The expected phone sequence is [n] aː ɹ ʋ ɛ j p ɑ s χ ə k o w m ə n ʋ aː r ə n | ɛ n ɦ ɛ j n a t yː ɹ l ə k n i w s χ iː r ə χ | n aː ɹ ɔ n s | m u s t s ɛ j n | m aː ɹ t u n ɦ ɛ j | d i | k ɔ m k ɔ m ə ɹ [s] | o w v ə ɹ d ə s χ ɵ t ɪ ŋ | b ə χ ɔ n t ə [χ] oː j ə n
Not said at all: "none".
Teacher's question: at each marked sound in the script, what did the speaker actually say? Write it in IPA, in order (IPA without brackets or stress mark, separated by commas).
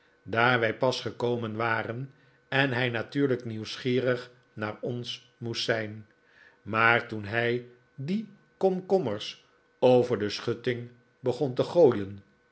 d, s, χ